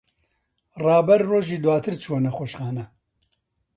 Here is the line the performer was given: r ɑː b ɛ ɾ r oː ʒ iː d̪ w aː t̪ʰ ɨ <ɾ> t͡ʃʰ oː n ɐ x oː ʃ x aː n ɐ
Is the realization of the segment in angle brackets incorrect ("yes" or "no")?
no